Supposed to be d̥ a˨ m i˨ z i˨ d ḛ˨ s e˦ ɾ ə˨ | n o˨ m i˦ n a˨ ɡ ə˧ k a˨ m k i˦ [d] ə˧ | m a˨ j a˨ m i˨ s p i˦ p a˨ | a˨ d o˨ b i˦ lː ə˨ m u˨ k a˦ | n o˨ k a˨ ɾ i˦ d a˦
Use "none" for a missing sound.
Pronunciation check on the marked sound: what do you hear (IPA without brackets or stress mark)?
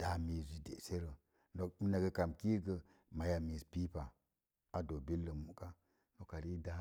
ɡ